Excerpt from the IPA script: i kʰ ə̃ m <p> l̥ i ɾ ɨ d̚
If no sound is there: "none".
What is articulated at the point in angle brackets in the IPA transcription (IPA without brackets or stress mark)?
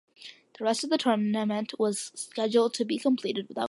pʰ